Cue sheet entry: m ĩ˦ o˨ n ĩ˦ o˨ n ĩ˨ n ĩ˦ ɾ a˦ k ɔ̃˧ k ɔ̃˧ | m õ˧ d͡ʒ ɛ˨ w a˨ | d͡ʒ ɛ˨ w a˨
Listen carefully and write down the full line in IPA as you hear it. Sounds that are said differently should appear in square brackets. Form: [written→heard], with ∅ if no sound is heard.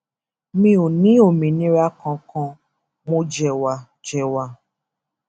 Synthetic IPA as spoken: m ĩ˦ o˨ n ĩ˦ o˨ [n→m] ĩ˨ n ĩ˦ ɾ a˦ k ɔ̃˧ k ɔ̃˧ | m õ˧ d͡ʒ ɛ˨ w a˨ | d͡ʒ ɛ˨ w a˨